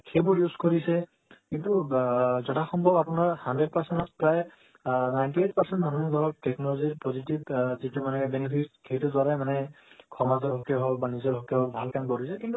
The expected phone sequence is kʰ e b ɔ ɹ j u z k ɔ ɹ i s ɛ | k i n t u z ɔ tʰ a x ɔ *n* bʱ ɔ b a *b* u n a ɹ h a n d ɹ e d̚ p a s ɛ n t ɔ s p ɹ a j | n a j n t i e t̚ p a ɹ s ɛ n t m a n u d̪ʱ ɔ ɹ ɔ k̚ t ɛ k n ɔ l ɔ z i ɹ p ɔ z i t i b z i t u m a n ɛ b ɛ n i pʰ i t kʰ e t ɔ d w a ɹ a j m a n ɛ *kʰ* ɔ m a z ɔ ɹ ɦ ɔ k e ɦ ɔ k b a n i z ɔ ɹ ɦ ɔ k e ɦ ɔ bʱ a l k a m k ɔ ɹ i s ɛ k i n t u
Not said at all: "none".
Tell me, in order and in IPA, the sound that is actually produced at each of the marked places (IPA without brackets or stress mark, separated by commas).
m, p, kʰ